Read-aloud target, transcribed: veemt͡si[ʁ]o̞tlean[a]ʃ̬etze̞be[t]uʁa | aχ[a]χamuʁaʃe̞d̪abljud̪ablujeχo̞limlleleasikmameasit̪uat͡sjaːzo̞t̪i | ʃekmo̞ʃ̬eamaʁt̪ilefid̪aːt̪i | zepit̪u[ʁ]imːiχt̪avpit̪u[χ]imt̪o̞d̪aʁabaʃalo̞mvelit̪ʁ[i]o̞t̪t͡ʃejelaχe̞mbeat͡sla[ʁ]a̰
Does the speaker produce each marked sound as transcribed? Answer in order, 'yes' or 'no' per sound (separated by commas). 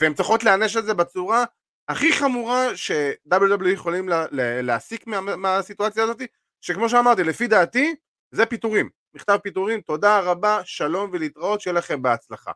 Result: no, no, no, no, yes, no, no, no